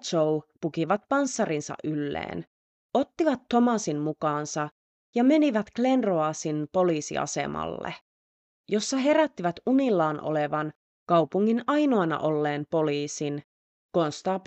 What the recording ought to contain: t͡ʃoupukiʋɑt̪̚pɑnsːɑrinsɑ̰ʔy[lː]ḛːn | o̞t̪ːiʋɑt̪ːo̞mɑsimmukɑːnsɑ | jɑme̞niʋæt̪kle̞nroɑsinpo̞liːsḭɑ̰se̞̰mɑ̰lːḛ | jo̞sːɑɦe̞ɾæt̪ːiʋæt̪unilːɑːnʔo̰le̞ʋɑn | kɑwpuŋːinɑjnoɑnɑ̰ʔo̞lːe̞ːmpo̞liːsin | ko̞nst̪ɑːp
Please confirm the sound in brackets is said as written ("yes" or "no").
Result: yes